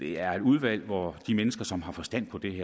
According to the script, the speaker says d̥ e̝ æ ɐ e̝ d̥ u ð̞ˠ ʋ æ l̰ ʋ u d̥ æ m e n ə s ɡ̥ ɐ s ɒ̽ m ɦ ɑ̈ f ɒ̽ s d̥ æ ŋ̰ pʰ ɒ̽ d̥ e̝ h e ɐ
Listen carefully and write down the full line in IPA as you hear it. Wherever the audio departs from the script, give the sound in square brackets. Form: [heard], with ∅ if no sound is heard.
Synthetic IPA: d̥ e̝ æ ɐ e̝ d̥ u ð̞ˠ ʋ æ l̰ ʋ [ɒ] d̥ [i] m e n ə s ɡ̥ ɐ s ɒ̽ m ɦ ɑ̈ f ɒ̽ s d̥ æ [n̰] pʰ ɒ̽ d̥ e̝ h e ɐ